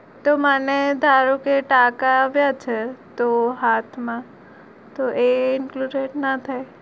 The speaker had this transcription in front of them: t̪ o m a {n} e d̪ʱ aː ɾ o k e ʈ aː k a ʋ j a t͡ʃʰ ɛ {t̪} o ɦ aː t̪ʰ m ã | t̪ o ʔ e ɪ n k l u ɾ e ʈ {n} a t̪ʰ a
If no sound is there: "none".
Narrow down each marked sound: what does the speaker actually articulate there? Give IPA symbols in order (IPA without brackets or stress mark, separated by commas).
n, t̪, n